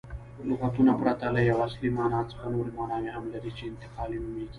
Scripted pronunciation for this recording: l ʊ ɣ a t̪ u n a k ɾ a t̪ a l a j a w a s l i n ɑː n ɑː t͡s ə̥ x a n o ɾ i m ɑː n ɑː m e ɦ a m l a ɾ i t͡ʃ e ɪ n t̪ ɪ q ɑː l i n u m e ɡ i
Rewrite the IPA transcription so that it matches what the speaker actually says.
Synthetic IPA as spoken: l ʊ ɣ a t̪ u n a p ɾ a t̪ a l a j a w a s l i m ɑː n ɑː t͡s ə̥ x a n o ɾ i m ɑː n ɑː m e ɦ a m l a ɾ i t͡ʃ e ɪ n t̪ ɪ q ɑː l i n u m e ɡ i